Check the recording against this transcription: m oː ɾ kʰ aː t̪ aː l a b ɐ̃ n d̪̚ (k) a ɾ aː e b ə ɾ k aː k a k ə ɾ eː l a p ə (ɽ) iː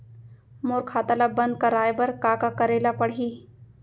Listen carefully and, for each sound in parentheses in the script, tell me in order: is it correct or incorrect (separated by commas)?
correct, correct